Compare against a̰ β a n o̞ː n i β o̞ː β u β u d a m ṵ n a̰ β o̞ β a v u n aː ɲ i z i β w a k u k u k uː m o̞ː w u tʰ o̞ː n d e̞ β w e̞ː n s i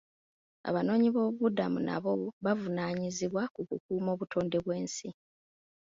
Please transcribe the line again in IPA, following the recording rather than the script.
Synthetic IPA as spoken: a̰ β a n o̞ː ɲ i β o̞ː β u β u d a m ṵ n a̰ β o̞ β a v u n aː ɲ i z i β w a k u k u k uː m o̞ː β u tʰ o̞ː n d e̞ β w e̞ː n s i